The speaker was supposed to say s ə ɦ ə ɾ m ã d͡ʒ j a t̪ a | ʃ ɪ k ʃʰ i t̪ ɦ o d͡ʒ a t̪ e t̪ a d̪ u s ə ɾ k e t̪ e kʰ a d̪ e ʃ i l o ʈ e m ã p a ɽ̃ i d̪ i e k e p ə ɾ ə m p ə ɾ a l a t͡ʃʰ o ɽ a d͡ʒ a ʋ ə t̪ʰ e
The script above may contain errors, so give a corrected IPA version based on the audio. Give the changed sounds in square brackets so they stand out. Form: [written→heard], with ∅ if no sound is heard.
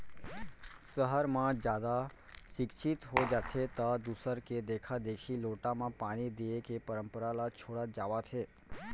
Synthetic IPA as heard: s ə ɦ ə ɾ m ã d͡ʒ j a [t̪→d̪] a | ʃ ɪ k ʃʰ i t̪ ɦ o d͡ʒ a [t̪→t̪ʰ] e t̪ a d̪ u s ə ɾ k e [t̪→d̪] e kʰ a d̪ e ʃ i l o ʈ [e→a] m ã p a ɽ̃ i d̪ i e k e p ə ɾ ə m p ə ɾ a l a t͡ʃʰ o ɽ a d͡ʒ a ʋ [ə→a] t̪ʰ e